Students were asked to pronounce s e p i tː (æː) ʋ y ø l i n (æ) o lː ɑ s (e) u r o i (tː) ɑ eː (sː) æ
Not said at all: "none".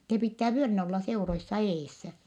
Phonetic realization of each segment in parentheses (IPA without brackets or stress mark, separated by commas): æː, æ, e, sː, sː